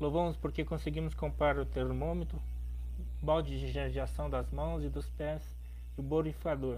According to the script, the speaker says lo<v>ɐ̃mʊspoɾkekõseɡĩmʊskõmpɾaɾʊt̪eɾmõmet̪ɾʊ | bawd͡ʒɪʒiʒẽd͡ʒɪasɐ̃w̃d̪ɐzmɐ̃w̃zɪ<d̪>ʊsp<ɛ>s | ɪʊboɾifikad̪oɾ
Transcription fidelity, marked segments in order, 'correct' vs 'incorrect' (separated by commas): correct, correct, correct